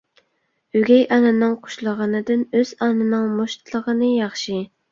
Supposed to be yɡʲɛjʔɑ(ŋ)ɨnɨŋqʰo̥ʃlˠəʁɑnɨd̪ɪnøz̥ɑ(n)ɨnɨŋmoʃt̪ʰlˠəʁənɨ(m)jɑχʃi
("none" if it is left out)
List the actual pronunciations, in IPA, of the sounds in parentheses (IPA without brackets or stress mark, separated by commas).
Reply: n, n, none